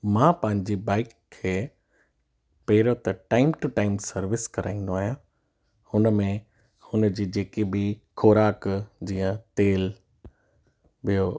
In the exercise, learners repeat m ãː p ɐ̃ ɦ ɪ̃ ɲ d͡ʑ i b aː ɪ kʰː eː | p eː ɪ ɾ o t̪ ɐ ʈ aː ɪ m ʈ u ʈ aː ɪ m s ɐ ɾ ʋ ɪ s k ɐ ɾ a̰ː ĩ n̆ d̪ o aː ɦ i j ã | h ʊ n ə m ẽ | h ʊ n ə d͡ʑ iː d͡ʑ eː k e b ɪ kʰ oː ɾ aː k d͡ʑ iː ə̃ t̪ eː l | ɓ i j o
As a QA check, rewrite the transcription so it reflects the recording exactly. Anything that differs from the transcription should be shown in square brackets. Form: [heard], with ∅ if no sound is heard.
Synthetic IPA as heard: m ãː p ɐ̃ ɦ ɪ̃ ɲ d͡ʑ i b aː ɪ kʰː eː | p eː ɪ ɾ o t̪ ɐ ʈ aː ɪ m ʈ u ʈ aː ɪ m s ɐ ɾ ʋ ɪ s k ɐ ɾ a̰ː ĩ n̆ d̪ o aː ɦ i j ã | h ʊ n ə m ẽ | h ʊ n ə d͡ʑ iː d͡ʑ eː k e b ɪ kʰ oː ɾ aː k d͡ʑ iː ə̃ t̪ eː l | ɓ i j o